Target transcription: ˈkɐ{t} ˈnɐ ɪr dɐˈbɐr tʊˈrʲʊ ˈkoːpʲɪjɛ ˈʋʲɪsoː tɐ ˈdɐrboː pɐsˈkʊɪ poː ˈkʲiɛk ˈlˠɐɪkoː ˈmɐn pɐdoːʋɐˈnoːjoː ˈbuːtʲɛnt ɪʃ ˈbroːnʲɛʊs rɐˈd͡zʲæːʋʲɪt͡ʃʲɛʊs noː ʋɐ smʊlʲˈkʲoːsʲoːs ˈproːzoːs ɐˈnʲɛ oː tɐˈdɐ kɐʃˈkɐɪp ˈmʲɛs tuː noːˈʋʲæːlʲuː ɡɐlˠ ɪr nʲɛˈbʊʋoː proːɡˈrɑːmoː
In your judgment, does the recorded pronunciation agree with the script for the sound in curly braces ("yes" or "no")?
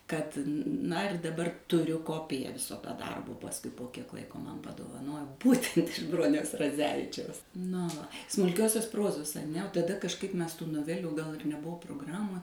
yes